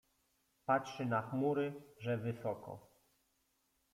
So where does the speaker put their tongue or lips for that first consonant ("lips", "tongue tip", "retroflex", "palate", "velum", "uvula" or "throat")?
lips